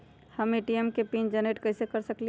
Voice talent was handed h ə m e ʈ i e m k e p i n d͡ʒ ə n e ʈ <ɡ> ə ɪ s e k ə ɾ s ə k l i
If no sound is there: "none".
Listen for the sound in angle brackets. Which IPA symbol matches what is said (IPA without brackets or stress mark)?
k